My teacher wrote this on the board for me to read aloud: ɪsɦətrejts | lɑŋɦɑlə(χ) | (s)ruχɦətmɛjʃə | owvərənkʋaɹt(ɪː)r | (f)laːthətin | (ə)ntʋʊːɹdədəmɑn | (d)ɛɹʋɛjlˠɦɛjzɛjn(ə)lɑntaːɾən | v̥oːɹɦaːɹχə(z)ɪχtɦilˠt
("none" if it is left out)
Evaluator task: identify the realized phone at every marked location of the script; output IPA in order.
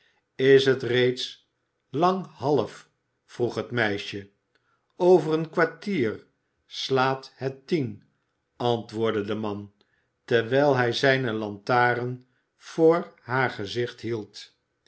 f, f, iː, s, ɑ, t, ə, z

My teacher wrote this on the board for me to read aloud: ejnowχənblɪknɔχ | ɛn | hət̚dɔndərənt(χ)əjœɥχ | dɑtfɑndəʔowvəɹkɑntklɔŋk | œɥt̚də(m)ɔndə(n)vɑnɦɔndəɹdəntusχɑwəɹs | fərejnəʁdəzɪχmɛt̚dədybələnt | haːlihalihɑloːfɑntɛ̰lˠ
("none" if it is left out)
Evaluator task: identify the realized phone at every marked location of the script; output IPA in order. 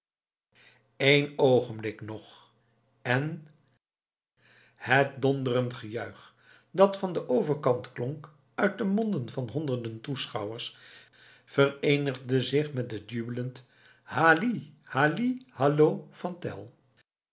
χ, m, n

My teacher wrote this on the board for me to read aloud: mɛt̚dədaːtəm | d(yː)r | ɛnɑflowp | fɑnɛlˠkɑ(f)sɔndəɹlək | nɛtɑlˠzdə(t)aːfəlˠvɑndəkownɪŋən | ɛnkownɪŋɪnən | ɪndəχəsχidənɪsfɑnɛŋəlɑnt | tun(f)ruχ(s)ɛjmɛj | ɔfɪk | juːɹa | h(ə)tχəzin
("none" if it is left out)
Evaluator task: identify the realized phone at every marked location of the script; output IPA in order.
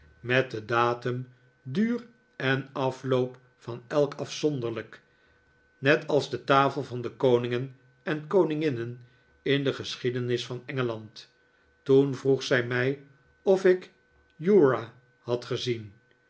yː, f, t, v, s, ɑ

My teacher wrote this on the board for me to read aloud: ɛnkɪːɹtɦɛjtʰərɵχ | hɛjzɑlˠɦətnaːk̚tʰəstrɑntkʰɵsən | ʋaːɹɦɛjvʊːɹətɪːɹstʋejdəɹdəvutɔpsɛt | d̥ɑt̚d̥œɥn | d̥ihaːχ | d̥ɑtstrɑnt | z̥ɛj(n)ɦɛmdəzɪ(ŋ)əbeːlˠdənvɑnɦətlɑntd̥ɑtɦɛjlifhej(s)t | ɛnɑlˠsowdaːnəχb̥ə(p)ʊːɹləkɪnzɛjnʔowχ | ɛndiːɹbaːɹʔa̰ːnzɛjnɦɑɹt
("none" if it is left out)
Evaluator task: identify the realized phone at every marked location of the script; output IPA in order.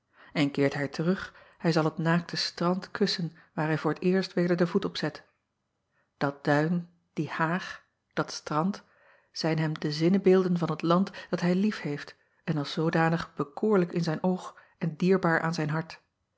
n, n, f, k

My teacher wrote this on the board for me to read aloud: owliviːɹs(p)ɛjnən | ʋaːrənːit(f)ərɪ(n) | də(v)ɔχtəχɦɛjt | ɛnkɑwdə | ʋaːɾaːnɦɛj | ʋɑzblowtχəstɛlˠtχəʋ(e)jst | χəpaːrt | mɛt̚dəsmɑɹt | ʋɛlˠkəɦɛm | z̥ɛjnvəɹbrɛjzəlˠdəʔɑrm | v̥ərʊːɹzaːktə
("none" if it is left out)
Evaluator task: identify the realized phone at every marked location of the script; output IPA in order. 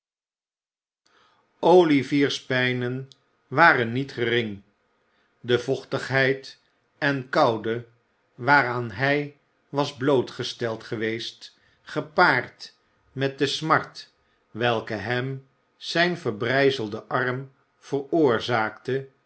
p, χ, ŋ, v, e

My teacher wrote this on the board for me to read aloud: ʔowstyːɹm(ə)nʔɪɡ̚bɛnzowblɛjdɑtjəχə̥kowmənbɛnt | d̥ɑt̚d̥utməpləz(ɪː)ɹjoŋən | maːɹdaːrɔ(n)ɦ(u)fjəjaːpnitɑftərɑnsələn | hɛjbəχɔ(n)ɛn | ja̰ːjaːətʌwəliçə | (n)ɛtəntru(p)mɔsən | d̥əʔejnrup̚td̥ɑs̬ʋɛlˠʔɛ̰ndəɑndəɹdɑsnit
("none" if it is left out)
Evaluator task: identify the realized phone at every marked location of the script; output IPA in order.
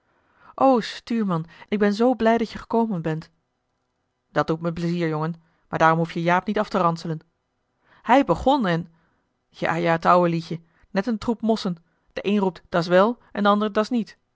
ɑ, iː, m, u, n, n, p

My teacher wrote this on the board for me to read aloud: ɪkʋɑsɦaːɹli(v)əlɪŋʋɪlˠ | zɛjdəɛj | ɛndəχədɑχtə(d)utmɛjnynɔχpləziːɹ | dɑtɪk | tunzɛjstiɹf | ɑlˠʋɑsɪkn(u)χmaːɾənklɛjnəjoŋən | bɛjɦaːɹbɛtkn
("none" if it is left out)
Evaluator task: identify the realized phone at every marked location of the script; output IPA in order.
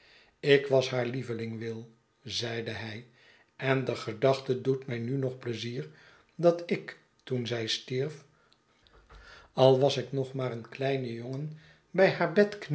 v, d, ɔ

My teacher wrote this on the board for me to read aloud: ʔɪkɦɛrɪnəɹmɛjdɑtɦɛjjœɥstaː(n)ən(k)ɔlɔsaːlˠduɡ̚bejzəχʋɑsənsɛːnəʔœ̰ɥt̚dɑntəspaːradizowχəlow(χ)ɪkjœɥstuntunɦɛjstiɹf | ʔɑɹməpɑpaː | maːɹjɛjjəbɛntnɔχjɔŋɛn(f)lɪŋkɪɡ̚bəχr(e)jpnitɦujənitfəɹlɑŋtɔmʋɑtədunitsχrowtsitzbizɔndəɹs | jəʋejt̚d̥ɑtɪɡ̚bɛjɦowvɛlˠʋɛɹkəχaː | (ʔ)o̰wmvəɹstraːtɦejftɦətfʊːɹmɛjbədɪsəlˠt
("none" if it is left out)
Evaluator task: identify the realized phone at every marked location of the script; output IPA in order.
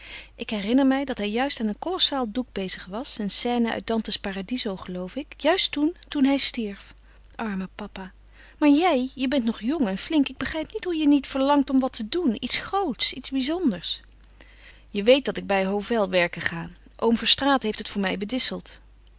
n, k, f, f, ɛ, ʔ

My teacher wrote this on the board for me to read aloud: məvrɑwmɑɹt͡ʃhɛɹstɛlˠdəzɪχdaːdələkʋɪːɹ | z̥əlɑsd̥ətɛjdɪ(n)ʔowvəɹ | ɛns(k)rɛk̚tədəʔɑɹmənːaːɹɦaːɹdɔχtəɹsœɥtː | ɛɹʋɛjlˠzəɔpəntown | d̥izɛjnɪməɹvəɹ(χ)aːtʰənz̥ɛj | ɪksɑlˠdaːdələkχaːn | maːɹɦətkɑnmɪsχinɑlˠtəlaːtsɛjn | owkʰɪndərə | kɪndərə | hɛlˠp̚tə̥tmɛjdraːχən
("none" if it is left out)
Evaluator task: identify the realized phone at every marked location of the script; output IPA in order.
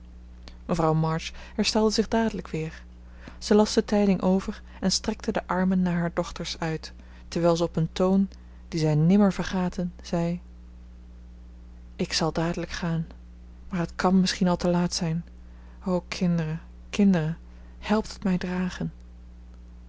ŋ, t, χ

